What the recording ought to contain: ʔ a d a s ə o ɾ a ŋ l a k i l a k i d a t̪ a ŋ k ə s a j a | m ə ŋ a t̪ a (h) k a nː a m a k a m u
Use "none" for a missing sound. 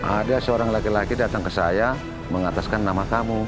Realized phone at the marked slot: s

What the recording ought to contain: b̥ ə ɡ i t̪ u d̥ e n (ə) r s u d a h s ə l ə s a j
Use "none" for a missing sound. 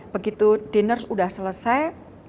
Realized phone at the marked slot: ə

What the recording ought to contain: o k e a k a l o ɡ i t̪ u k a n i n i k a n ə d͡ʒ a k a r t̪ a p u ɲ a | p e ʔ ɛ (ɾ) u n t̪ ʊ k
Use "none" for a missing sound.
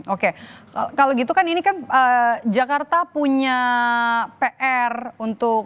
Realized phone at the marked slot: r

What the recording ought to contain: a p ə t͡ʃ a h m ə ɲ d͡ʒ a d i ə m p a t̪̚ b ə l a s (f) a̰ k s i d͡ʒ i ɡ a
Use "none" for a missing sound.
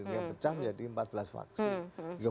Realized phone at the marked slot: f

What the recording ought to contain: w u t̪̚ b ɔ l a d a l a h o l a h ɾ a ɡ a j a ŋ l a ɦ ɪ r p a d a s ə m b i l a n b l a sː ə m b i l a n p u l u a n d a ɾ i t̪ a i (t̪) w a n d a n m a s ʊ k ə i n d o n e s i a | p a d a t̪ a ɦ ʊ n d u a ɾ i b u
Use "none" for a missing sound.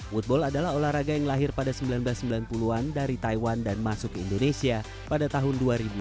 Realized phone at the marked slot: none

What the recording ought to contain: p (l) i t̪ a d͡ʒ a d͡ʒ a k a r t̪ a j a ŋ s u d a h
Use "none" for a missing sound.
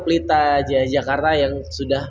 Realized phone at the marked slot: l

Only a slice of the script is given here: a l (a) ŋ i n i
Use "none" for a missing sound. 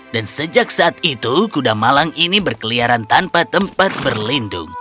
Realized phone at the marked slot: a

